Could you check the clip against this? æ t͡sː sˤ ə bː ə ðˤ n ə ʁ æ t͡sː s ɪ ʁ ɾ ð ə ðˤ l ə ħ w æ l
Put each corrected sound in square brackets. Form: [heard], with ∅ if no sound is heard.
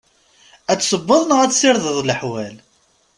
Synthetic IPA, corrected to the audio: æ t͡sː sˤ ə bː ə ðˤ n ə ʁ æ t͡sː s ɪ [∅] ɾ ð ə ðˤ l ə ħ w æ l